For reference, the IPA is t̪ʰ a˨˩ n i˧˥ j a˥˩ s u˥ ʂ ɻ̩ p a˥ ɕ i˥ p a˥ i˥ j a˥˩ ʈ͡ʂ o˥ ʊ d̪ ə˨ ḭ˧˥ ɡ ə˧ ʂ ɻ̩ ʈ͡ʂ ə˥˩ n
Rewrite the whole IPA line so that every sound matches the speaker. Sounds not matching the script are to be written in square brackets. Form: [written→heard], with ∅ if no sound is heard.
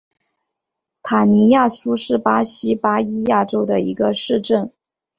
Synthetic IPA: t̪ʰ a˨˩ n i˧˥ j a˥˩ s u˥ ʂ ɻ̩ p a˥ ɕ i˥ p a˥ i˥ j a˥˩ ʈ͡ʂ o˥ ʊ d̪ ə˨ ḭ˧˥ ɡ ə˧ ʂ ɻ̩ ʈ͡ʂ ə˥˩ n